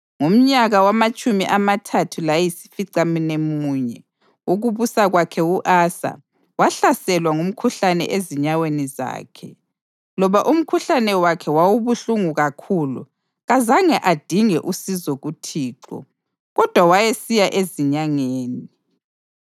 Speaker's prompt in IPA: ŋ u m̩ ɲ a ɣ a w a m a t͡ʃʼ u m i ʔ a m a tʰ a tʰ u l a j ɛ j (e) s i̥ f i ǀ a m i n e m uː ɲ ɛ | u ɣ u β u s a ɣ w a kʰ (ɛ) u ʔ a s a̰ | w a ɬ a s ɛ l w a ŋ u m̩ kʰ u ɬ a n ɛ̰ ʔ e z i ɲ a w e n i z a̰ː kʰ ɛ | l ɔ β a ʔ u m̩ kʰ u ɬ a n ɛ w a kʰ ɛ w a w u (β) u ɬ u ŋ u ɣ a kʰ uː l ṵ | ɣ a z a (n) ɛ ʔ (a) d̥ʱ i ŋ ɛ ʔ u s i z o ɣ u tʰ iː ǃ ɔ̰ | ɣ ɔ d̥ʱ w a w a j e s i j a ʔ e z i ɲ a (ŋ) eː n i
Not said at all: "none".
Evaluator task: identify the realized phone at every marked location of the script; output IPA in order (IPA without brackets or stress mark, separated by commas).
i, ɛ, β, ŋ, a, ŋ